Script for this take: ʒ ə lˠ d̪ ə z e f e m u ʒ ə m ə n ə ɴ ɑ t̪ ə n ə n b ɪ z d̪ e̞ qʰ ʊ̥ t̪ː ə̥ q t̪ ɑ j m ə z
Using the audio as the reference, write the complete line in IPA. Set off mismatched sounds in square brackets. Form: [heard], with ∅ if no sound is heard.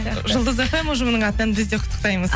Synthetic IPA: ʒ ə lˠ d̪ ə z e f e m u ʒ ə m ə n ə ɴ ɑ t̪ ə n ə n b ɪ z d̪ e̞ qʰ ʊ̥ t̪ː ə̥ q t̪ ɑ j m ə z